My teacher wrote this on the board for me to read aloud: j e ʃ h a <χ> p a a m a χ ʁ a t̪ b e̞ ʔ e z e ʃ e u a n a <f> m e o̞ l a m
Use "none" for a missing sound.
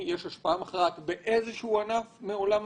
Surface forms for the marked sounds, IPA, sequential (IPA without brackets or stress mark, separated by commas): ʃ, f